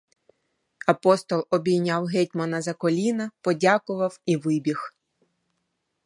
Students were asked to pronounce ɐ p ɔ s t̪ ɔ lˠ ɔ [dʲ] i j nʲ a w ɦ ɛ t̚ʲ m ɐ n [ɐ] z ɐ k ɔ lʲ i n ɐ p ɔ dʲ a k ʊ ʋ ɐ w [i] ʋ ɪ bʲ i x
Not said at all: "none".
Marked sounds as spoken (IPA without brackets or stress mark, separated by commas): bʲ, ɐ, i